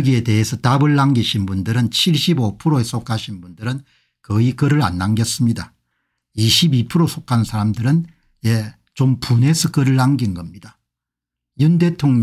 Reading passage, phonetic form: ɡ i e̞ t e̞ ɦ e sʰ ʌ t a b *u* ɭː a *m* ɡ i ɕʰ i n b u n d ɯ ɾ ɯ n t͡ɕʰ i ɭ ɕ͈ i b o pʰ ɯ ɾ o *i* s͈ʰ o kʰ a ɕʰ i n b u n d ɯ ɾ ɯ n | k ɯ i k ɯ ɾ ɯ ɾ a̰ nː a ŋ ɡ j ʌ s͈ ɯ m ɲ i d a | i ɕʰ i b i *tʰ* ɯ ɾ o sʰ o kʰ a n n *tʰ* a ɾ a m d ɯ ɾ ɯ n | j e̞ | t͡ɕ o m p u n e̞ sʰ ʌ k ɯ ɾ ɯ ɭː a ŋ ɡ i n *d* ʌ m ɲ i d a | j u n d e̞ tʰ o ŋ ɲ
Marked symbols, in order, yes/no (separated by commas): no, no, no, no, no, no